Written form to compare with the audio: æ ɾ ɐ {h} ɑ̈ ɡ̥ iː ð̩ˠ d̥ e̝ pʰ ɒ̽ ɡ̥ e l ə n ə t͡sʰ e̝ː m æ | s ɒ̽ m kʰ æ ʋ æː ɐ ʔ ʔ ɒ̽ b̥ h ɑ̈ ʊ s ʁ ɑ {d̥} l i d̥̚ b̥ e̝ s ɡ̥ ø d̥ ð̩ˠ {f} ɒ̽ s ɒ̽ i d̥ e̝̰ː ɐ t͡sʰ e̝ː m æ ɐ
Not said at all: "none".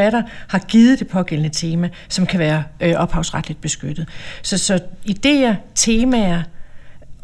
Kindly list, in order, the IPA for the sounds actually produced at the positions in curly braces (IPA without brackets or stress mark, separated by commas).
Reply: h, d̥, s